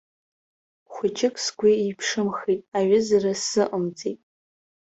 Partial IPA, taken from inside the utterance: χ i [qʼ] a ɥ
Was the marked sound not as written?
yes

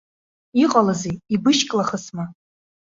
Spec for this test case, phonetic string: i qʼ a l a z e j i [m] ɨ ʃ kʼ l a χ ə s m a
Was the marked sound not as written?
yes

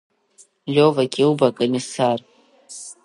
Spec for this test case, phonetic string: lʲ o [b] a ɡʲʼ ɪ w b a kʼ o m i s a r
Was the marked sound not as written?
yes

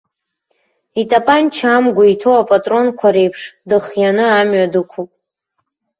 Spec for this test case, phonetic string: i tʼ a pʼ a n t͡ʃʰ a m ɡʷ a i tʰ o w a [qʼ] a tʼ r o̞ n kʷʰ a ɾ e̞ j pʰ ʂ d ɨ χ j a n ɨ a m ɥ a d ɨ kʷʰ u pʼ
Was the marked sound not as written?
yes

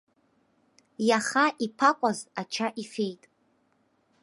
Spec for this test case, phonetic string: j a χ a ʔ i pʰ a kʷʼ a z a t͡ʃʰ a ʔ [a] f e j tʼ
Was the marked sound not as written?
yes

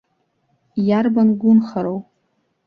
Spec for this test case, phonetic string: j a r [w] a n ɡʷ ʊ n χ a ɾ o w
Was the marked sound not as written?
yes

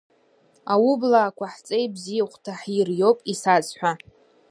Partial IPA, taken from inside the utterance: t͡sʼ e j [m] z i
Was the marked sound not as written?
yes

